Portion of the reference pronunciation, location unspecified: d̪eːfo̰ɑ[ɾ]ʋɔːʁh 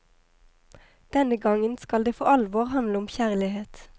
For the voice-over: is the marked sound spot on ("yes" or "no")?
no